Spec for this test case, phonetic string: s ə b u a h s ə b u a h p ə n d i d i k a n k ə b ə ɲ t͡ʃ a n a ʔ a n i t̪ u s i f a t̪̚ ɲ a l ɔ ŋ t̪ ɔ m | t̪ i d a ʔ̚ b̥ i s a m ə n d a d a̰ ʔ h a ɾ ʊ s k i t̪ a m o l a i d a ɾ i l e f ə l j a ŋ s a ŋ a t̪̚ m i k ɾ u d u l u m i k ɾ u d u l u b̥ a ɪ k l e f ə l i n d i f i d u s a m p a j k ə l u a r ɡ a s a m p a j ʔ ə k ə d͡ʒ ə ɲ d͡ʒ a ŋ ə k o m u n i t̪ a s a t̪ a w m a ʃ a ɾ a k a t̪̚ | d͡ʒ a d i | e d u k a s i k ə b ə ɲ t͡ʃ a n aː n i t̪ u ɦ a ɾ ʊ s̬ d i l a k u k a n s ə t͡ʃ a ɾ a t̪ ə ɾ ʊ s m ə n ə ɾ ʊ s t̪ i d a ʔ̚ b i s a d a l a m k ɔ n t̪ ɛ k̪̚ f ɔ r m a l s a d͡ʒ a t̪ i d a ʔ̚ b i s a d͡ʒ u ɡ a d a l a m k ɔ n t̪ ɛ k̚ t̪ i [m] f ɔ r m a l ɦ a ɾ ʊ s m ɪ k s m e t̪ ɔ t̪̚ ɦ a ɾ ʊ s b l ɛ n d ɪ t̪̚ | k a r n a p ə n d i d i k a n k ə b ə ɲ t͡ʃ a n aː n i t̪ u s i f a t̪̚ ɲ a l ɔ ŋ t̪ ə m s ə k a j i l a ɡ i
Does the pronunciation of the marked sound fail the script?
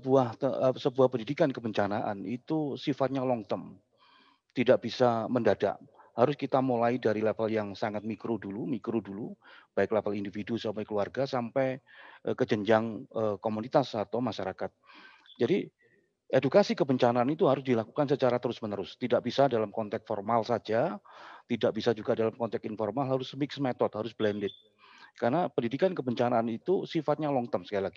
yes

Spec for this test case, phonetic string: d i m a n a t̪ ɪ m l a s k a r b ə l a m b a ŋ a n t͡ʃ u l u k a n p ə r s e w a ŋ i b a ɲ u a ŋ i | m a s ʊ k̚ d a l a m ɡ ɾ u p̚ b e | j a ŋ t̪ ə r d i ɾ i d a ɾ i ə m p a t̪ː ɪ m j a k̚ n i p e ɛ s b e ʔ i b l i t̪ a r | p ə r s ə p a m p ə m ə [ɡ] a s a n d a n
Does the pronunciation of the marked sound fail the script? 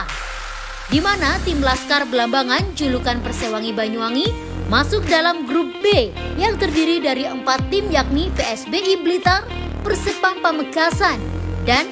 no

